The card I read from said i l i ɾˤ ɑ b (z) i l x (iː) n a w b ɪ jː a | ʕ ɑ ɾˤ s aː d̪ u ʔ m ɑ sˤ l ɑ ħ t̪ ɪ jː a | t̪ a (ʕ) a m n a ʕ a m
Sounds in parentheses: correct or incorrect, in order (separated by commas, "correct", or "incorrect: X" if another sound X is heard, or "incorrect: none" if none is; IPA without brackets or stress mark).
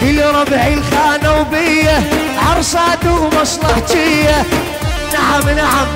incorrect: ʕ, incorrect: aː, correct